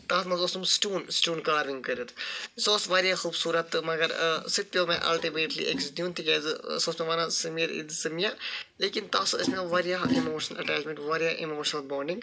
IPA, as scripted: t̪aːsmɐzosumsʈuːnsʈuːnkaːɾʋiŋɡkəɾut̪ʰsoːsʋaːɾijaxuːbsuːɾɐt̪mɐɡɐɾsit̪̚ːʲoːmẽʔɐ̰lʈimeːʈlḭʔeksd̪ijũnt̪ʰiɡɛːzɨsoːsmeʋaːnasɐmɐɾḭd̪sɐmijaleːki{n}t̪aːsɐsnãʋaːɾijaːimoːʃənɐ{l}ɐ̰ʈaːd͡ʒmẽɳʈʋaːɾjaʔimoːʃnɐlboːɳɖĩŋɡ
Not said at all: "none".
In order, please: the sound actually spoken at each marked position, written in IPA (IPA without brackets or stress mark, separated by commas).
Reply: n, l